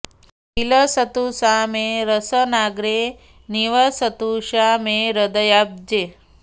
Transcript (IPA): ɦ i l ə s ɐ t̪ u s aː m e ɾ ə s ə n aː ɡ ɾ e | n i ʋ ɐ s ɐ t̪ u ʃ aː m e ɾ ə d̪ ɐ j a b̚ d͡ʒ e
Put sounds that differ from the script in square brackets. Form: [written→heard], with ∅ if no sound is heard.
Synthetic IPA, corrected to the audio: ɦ i l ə s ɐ t̪ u s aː m e ɾ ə s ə n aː ɡ ɾ e | n i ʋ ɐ s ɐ t̪ u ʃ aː m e ɾ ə d̪ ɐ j a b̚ d͡ʒ e